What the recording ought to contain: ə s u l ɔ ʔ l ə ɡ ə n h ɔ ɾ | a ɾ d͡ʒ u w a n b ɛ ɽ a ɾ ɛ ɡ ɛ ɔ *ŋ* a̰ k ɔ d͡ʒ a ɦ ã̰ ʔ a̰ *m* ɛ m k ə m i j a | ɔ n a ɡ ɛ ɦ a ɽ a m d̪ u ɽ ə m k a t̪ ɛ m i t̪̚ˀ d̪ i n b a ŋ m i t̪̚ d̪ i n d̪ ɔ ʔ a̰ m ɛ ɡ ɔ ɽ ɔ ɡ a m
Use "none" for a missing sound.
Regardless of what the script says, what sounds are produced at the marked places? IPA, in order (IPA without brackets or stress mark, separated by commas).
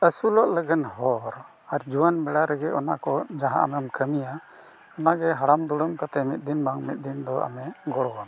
n, m